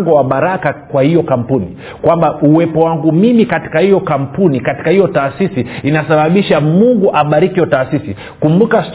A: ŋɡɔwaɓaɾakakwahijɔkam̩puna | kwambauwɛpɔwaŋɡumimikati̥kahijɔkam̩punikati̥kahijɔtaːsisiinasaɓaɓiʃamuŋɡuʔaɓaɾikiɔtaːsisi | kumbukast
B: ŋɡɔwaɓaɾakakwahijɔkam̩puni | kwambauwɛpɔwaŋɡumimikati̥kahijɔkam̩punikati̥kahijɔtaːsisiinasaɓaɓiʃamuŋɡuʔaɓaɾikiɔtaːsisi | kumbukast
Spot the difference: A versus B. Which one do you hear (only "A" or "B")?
B